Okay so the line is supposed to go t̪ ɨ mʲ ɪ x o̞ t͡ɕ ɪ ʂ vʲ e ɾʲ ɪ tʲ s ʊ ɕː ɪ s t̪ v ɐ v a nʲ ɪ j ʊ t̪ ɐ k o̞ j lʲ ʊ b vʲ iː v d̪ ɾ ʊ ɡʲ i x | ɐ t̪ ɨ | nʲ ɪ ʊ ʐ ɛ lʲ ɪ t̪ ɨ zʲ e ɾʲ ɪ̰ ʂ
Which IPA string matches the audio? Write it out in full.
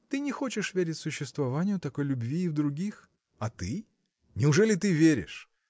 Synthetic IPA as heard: t̪ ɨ nʲ ɪ x o̞ t͡ɕ ɪ ʂ vʲ e ɾʲ ɪ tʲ s ʊ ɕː ɪ s t̪ v ɐ v a nʲ ɪ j ʊ t̪ ɐ k o̞ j lʲ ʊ b vʲ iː v d̪ ɾ ʊ ɡʲ i x | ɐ t̪ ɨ | nʲ ɪ ʊ ʐ ɛ lʲ ɪ t̪ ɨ vʲ e ɾʲ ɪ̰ ʂ